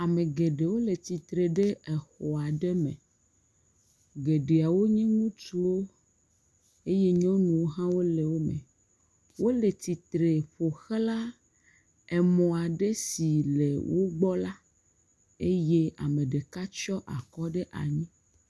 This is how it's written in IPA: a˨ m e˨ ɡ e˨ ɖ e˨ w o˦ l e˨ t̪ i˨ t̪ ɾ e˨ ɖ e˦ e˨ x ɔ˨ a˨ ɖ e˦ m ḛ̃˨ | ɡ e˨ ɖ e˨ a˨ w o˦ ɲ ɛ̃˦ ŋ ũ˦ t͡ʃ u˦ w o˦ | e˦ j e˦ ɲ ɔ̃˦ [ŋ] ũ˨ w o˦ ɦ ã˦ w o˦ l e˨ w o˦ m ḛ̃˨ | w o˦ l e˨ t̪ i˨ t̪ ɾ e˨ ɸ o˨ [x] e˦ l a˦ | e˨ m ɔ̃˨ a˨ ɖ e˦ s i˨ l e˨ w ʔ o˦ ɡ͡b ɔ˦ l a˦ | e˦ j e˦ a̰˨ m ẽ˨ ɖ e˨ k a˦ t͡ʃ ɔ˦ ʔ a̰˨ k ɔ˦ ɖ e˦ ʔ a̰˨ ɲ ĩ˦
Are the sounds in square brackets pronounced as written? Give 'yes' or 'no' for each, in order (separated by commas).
no, yes